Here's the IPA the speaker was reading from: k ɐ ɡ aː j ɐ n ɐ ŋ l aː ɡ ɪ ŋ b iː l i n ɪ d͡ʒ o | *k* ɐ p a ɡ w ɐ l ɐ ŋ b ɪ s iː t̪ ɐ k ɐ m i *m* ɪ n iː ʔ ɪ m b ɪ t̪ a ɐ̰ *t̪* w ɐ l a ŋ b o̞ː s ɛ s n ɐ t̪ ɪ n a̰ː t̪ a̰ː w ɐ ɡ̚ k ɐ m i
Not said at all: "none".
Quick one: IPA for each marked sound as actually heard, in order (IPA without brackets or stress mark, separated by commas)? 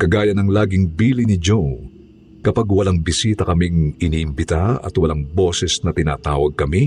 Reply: k, ŋ, t̪